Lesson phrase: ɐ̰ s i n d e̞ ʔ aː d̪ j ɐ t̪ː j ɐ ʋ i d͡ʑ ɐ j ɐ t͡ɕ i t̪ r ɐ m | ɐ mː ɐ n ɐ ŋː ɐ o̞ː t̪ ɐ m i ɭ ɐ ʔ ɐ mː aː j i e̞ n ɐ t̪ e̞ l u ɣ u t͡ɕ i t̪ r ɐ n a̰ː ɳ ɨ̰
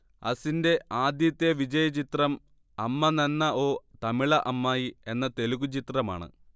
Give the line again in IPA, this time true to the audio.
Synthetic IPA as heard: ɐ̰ s i n d e̞ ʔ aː d̪ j ɐ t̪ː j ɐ ʋ i d͡ʑ ɐ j ɐ t͡ɕ i t̪ r ɐ m | ɐ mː ɐ n ɐ nː ɐ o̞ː t̪ ɐ m i ɭ ɐ ʔ ɐ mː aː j i e̞ nː ɐ t̪ e̞ l u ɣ u t͡ɕ i t̪ r ɐ m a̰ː ɳ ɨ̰